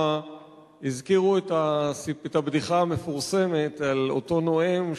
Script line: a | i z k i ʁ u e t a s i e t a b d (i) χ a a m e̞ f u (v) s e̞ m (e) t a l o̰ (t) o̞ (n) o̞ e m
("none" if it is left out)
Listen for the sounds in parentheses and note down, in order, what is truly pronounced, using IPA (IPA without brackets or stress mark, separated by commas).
i, ʁ, e, t, n